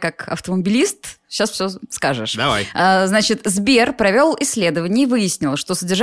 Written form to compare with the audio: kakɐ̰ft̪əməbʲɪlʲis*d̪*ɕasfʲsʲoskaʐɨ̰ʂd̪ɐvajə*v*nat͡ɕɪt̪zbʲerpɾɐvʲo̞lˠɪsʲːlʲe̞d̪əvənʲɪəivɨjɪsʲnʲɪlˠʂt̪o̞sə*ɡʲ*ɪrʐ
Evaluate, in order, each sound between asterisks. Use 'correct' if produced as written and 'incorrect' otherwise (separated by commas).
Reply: incorrect, incorrect, incorrect